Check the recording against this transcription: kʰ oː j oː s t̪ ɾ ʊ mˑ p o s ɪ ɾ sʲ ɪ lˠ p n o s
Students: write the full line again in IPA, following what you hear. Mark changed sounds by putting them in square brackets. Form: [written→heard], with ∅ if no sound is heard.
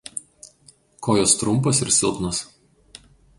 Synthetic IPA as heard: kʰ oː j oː s t̪ ɾ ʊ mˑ p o s ɪ ɾ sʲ ɪ lˠ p n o s